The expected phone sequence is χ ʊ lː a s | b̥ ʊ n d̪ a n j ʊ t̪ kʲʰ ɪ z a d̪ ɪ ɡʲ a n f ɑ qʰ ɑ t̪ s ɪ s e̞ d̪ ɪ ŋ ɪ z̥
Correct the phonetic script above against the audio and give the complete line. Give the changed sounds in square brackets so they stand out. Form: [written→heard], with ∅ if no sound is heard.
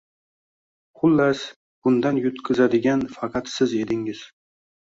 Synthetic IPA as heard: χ ʊ lː a s | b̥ ʊ n d̪ a n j ʊ t̪ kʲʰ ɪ z a d̪ ɪ ɡʲ a n f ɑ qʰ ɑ t̪ s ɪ [s→z] e̞ d̪ ɪ ŋ ɪ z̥